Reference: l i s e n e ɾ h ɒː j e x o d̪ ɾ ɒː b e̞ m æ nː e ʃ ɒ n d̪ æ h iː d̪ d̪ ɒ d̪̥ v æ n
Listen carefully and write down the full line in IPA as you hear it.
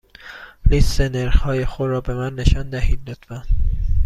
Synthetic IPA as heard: l i s e n e ɾ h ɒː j e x o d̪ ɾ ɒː b e̞ m æ nː e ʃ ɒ n d̪ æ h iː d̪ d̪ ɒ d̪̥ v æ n